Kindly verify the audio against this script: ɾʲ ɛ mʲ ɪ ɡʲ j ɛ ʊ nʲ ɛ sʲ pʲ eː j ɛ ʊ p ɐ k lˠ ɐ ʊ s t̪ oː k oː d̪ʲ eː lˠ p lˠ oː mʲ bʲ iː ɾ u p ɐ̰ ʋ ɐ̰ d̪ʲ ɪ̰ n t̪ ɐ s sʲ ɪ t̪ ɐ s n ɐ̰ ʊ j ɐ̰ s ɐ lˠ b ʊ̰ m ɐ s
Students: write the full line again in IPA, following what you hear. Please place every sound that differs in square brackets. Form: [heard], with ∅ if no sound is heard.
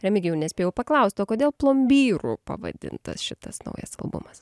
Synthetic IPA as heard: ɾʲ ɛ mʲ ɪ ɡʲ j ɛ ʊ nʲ ɛ sʲ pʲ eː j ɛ ʊ p ɐ k lˠ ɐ ʊ s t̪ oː k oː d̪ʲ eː lˠ p lˠ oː mʲ bʲ iː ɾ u p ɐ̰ ʋ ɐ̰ d̪ʲ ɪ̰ n t̪ ɐ s [ʃʲ] ɪ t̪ ɐ s n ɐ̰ ʊ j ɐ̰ s ɐ lˠ b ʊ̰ m ɐ s